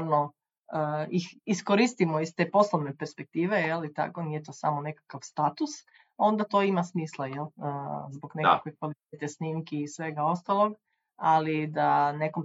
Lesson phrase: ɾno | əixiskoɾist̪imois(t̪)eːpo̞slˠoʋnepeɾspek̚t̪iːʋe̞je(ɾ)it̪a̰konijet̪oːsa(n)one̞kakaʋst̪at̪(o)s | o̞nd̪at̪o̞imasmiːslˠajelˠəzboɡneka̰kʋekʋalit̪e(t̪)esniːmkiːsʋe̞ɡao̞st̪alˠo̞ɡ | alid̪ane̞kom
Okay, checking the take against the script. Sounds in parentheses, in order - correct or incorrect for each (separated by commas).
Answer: correct, incorrect, incorrect, incorrect, correct